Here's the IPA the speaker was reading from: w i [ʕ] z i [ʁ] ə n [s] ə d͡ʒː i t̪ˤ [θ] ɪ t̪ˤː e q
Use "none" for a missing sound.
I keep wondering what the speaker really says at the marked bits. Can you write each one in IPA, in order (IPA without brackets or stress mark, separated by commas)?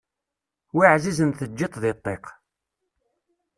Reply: ʕ, z, θ, ð